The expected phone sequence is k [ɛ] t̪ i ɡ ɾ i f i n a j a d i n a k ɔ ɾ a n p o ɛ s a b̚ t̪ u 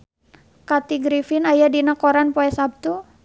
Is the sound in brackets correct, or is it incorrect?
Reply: incorrect